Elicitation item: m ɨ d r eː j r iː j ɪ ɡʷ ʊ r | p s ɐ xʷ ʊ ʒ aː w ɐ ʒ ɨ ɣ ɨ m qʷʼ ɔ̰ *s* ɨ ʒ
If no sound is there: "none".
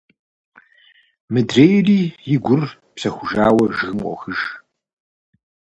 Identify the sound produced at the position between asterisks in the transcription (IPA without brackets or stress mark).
x